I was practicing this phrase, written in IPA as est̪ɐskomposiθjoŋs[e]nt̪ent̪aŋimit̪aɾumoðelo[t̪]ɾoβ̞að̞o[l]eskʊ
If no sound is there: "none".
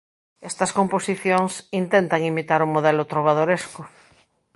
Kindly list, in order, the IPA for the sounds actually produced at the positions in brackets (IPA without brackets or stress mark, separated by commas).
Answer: i, t̪, ɾ